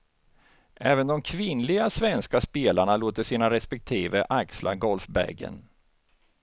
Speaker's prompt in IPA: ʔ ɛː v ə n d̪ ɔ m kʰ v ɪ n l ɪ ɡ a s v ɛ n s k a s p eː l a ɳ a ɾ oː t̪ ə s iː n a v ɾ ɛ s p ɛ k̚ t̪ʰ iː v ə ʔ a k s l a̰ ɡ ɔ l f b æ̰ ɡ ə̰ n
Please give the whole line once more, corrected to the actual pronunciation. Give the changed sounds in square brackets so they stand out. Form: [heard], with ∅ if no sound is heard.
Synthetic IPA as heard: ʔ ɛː v ə n d̪ ɔ m kʰ v ɪ n l ɪ ɡ a s v ɛ n s k a s p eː l a ɳ a [l] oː t̪ ə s iː n a [∅] ɾ ɛ s p ɛ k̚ t̪ʰ iː v ə ʔ a k s l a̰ ɡ ɔ l f b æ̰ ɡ ə̰ n